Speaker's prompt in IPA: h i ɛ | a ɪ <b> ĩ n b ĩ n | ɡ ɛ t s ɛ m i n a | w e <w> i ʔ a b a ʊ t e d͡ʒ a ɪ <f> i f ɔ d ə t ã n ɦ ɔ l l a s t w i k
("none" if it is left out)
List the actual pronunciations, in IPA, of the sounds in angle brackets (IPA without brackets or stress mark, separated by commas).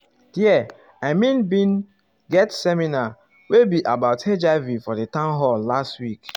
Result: m, b, v